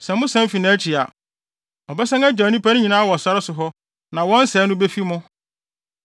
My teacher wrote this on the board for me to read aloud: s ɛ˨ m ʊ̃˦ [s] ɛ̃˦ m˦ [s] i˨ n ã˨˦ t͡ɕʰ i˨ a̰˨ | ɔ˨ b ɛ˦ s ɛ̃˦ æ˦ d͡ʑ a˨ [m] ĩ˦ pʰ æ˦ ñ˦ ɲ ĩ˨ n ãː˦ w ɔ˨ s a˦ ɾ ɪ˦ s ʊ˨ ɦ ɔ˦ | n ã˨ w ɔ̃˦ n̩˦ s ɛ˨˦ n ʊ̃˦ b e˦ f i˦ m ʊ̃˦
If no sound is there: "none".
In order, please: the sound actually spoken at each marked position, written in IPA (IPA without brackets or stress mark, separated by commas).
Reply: s, f, n